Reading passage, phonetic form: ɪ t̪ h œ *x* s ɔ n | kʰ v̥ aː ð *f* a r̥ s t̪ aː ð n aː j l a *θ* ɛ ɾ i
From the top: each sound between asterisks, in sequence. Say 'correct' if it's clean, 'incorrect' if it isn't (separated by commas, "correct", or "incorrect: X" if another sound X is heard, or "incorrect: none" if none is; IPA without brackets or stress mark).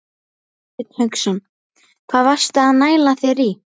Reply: incorrect: k, incorrect: v, correct